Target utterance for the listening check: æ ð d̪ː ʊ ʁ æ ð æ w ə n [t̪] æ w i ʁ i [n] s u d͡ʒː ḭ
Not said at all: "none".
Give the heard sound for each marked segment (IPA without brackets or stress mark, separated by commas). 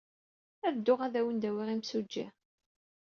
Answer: d̪, m